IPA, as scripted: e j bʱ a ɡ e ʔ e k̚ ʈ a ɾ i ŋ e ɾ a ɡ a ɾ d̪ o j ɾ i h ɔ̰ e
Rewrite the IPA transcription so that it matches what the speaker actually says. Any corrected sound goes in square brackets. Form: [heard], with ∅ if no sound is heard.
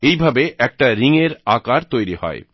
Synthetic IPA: e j bʱ a [b] e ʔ [ɛ] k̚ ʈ a ɾ i ŋ e ɾ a [k] a ɾ [t̪] o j ɾ i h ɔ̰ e